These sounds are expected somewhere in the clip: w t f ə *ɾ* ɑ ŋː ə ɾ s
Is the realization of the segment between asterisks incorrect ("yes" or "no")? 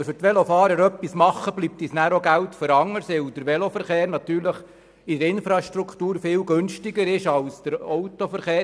no